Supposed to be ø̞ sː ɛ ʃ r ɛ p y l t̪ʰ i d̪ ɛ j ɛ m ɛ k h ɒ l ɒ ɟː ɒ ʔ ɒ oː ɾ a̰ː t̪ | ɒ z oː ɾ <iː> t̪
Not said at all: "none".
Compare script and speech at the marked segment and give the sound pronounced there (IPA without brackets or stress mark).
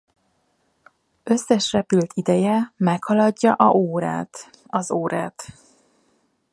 aː